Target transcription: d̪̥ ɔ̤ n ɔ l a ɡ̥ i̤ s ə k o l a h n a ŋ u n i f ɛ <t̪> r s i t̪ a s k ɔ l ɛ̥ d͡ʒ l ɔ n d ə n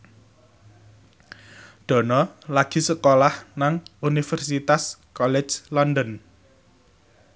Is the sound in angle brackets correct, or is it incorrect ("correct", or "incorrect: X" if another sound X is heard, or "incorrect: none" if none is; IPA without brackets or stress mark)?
incorrect: none